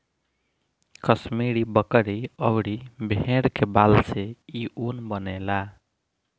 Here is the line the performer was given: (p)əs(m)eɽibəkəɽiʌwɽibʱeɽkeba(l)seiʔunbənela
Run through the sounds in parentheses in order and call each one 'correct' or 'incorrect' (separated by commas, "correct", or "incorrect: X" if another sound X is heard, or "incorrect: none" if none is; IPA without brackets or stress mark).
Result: incorrect: k, correct, correct